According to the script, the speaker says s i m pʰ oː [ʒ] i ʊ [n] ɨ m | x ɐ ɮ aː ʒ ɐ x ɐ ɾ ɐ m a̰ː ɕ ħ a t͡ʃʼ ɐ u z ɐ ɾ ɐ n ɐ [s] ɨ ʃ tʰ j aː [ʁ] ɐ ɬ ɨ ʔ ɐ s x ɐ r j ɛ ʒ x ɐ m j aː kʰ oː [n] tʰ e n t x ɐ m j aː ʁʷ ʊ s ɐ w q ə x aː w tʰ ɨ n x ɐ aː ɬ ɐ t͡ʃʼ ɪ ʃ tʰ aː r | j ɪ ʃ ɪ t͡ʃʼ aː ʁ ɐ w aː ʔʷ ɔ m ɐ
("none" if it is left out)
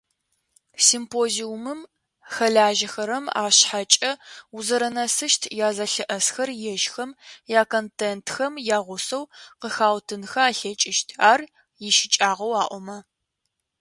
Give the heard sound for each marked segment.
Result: z, m, s, z, n

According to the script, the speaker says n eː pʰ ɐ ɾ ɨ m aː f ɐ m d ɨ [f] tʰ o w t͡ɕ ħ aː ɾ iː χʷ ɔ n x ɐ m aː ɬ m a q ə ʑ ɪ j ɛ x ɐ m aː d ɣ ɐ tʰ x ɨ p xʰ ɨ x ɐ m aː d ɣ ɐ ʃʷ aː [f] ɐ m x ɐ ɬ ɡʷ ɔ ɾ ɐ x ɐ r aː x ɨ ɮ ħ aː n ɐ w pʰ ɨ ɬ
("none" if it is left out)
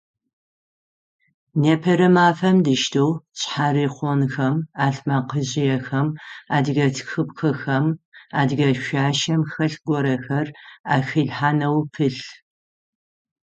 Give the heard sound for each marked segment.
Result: ʃ, ʃ

